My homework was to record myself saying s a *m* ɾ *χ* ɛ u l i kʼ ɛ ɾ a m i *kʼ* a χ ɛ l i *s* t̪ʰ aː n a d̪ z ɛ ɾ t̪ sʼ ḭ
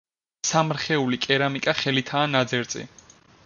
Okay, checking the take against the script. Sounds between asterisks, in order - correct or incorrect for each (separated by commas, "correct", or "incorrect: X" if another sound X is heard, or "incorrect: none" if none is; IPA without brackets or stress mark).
correct, correct, correct, incorrect: none